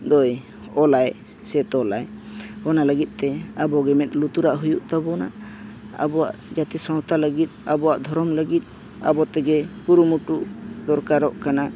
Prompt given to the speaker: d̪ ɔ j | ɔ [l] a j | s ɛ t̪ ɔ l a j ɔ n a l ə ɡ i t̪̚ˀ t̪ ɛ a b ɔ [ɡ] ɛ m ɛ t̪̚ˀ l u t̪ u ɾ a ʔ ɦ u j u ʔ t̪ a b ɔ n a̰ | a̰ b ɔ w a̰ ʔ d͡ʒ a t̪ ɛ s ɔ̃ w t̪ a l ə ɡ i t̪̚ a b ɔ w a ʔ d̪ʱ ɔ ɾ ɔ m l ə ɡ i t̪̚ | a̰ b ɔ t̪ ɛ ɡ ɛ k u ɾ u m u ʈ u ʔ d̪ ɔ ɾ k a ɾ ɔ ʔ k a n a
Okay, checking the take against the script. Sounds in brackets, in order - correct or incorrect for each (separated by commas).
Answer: correct, correct